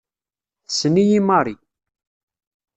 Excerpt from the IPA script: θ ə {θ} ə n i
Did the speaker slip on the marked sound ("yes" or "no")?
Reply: yes